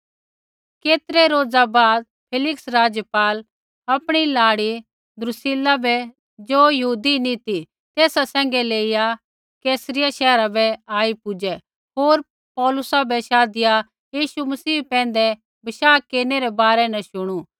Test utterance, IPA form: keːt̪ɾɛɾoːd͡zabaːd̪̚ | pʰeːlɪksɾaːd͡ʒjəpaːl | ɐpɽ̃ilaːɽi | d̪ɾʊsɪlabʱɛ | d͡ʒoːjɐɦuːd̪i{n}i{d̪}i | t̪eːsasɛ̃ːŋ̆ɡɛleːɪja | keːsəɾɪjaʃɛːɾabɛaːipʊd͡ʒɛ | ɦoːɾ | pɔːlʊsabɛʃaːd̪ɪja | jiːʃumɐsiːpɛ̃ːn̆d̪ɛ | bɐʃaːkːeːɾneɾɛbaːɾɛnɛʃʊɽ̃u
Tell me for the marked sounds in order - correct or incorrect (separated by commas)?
correct, incorrect